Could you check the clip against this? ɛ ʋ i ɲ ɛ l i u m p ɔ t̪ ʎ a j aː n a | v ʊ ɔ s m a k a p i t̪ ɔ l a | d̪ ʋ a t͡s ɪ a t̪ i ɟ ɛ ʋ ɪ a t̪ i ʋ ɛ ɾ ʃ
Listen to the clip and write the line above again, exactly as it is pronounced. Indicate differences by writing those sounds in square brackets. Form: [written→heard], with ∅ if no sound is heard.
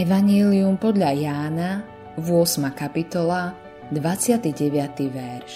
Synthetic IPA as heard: ɛ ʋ [i→a] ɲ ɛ l i u m p ɔ [t̪→d̪] ʎ a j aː n a | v ʊ ɔ s m a k a p i t̪ ɔ l a | d̪ ʋ a t͡s ɪ a t̪ i ɟ ɛ ʋ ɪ a t̪ i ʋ ɛ ɾ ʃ